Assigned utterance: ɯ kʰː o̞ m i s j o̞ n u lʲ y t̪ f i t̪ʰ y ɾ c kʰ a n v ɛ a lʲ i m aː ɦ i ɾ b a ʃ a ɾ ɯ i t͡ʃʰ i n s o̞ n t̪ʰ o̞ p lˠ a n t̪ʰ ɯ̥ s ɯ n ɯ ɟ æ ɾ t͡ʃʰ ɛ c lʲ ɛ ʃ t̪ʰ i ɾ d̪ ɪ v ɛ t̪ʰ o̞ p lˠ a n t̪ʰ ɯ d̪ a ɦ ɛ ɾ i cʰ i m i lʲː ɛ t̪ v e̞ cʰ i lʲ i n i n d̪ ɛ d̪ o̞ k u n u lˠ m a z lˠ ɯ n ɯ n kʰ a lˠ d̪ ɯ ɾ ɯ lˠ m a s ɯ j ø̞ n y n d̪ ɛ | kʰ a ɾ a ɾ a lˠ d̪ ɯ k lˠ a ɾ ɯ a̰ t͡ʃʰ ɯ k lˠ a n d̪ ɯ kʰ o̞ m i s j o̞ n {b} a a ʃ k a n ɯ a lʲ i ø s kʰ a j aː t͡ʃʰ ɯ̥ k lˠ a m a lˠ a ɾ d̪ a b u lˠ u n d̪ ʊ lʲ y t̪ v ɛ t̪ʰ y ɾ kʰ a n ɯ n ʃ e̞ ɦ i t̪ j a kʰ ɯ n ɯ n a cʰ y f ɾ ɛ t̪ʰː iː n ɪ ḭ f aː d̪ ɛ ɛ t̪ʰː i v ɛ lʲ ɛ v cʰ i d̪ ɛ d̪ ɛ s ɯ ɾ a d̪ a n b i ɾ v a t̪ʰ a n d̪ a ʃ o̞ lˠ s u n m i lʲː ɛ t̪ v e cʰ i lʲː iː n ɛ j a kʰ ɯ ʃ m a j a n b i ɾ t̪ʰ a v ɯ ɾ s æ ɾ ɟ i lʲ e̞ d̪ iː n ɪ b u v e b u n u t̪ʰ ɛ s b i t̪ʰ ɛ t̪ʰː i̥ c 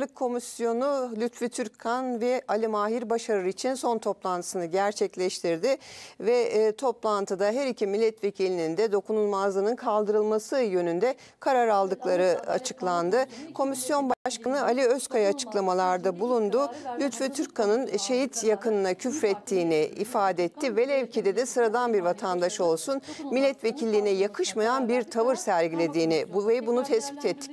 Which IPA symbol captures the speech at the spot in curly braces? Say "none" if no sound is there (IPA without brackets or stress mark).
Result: b